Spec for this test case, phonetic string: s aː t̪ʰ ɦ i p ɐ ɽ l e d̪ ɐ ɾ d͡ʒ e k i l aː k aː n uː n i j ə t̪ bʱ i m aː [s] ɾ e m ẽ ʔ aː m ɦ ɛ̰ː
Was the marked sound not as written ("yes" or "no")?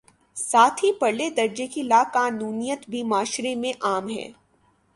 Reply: yes